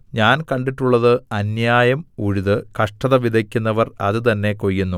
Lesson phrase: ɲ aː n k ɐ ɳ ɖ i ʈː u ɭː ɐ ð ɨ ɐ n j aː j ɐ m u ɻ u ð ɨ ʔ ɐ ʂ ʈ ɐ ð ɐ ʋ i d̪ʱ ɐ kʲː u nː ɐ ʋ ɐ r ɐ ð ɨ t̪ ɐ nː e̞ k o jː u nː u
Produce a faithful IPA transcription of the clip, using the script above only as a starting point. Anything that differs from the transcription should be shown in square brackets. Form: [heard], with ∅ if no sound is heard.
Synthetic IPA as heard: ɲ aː n k ɐ ɳ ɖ i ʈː u ɭː ɐ ð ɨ ɐ n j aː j ɐ m u ɻ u ð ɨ [k] ɐ ʂ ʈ ɐ ð ɐ ʋ i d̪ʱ ɐ kʲː u nː ɐ ʋ ɐ r ɐ ð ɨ t̪ ɐ nː e̞ k o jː u nː u